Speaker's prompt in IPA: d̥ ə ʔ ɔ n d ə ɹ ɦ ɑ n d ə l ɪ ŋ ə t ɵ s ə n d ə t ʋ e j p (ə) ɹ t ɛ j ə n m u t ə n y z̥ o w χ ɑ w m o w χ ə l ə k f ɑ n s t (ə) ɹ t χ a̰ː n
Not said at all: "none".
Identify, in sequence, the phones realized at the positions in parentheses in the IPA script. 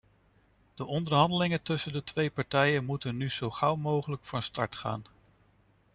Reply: ɑ, ɑ

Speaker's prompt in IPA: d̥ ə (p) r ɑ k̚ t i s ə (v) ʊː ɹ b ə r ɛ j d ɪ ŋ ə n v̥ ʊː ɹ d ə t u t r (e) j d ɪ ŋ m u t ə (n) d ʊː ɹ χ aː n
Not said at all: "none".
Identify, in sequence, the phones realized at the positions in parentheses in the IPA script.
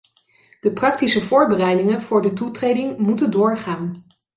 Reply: p, v, e, n

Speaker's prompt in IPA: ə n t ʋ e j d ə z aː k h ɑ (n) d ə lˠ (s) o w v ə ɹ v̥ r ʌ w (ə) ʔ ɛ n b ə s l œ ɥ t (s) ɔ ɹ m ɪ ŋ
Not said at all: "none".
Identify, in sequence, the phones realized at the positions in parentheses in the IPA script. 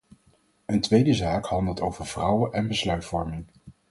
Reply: n, t, ə, f

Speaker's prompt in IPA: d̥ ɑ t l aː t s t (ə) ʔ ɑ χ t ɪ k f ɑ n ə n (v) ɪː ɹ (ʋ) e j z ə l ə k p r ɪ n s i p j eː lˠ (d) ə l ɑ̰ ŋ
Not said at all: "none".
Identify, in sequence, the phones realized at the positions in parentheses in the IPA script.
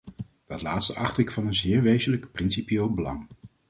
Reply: ə, z, ʋ, b

